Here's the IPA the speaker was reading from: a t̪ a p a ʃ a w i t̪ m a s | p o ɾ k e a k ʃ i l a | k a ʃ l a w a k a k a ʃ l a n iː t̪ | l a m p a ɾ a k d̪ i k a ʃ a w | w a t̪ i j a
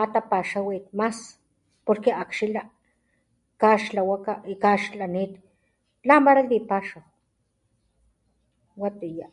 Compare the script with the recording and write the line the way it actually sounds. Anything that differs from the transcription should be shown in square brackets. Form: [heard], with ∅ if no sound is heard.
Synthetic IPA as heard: a t̪ a p a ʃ a w i t̪ m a s | p o ɾ k e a k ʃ i l a | k a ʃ l a w a k a k a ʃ l a n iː t̪ | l a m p a ɾ a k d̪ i [p] a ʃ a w | w a t̪ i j a